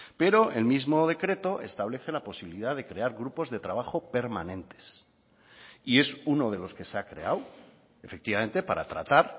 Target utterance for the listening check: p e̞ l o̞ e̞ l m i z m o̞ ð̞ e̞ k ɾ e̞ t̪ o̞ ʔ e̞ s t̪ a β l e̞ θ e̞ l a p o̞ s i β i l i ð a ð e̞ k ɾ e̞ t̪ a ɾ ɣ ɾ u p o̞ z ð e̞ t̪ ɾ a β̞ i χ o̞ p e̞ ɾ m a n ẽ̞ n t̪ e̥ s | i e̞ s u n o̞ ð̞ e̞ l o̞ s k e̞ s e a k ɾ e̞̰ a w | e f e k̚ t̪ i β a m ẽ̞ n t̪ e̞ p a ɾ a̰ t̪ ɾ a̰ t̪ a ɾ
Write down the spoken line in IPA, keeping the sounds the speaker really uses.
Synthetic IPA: p e̞ ɾ o̞ e̞ l m i z m o̞ ð̞ e̞ k ɾ e̞ t̪ o̞ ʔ e̞ s t̪ a β l e̞ θ e̞ l a p o̞ s i β i l i ð a ð e̞ k ɾ e̞ a ɾ ɣ ɾ u p o̞ z ð e̞ t̪ ɾ a β̞ a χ o̞ p e̞ ɾ m a n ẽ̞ n t̪ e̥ s | i e̞ s u n o̞ ð̞ e̞ l o̞ s k e̞ s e a k ɾ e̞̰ a w | e f e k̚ t̪ i β a m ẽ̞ n t̪ e̞ p a ɾ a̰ t̪ ɾ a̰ t̪ a ɾ